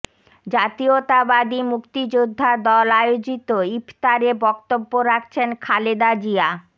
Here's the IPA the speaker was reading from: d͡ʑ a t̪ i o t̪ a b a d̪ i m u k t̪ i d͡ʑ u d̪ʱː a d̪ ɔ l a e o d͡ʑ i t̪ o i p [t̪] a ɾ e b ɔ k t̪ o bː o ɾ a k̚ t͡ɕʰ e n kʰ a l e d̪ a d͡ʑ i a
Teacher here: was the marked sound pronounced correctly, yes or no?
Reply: yes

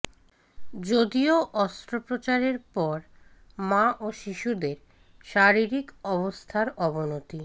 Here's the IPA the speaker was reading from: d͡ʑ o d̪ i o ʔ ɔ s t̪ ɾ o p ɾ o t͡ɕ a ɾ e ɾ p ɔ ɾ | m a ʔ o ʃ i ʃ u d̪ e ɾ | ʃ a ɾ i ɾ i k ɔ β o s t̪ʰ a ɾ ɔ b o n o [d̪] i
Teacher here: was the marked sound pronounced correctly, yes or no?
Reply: no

